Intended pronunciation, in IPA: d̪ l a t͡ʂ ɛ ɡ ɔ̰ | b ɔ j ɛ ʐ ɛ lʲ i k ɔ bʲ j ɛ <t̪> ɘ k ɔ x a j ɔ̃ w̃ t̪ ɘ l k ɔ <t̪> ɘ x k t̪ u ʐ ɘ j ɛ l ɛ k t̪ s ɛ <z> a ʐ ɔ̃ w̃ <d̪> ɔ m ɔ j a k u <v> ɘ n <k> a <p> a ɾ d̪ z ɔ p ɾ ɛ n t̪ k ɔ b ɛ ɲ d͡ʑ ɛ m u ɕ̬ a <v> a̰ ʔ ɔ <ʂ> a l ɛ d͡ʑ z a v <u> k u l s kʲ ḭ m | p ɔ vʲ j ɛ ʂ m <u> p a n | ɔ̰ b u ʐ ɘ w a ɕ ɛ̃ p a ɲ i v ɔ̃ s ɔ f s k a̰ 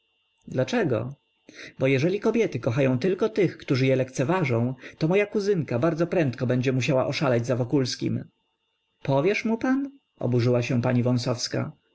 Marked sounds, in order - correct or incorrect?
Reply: correct, correct, incorrect: v, incorrect: t̪, incorrect: z, correct, incorrect: b, incorrect: w, correct, incorrect: ɔ, correct

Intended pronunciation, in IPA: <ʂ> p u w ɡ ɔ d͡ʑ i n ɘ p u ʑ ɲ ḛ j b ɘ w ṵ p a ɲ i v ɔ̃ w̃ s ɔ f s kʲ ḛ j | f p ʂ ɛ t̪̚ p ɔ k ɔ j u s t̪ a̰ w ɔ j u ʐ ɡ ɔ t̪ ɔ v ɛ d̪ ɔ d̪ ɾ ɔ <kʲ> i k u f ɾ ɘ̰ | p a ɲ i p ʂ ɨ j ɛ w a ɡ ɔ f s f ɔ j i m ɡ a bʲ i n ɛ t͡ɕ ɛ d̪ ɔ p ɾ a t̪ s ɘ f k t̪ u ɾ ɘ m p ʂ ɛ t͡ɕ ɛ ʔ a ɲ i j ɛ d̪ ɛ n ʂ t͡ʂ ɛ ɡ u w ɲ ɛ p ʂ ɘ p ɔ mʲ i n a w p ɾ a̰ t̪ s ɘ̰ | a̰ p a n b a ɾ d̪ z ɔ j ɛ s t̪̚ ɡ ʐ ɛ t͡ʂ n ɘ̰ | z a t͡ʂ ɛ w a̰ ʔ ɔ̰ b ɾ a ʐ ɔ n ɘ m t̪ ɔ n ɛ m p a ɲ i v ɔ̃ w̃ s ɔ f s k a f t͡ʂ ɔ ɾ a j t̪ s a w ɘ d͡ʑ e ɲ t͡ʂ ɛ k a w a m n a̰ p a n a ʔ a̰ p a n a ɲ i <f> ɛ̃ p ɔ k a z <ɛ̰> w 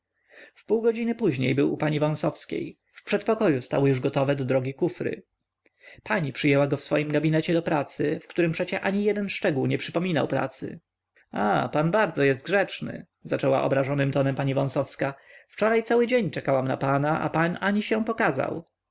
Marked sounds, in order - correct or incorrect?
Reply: incorrect: f, incorrect: ɡʲ, incorrect: ɕ, incorrect: a̰

